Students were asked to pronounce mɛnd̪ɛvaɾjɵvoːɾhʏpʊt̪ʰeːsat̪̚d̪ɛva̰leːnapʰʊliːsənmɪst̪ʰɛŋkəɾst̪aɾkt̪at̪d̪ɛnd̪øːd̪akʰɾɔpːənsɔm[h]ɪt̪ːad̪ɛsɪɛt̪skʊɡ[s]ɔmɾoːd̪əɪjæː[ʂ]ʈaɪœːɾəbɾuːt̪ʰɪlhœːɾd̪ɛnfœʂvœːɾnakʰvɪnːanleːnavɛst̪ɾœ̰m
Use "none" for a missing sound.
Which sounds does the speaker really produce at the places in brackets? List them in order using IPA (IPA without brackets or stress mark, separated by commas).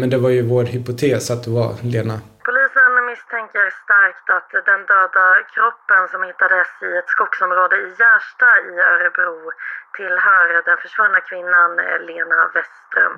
h, s, ʂ